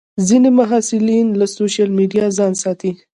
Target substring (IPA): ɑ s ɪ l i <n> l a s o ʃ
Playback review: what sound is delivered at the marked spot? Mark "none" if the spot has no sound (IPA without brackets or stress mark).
n